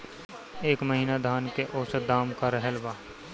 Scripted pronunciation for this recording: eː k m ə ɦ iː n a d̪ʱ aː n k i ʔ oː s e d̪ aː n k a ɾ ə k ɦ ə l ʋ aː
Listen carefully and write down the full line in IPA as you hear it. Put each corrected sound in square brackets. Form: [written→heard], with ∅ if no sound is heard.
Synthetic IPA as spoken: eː k m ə ɦ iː n a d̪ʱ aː n k [i→e] ʔ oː s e d̪ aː [n→m] k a ɾ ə [k→∅] ɦ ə l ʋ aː